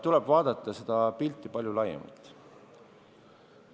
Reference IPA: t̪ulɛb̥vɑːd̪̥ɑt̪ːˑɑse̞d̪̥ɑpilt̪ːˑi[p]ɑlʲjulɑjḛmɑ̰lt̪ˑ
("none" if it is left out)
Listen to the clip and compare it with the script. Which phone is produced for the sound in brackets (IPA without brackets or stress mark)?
p